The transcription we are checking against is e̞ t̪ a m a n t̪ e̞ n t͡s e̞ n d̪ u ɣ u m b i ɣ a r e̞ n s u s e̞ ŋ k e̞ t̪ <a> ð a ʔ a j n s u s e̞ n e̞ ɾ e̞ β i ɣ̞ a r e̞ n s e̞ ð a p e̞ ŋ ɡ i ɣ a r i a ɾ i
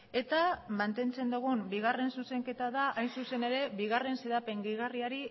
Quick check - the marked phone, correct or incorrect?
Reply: correct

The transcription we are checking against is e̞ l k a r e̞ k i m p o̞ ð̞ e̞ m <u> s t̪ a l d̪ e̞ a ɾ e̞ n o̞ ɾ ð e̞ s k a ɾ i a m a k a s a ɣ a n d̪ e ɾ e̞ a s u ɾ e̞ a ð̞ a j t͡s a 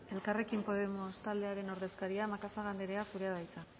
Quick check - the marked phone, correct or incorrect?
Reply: incorrect: o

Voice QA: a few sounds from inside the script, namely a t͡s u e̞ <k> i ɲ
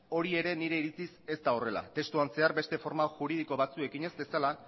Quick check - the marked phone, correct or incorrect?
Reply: correct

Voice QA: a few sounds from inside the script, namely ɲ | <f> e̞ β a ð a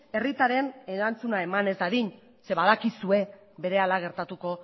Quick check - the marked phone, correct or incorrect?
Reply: incorrect: s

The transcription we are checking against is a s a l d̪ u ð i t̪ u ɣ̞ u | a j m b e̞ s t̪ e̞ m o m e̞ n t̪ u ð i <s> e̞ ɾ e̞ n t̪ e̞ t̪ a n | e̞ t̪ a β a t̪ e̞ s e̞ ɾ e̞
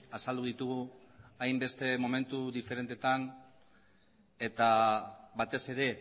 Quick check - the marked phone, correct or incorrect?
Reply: incorrect: f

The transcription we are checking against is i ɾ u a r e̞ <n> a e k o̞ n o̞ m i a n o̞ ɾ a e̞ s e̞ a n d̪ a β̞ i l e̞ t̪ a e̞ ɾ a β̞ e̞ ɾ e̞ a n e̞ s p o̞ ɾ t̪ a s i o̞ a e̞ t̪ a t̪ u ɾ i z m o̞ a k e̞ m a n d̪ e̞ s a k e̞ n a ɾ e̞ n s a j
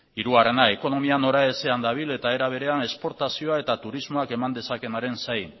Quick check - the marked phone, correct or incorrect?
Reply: correct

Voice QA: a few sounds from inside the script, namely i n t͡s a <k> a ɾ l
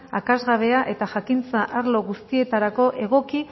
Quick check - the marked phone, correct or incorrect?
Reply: incorrect: ʔ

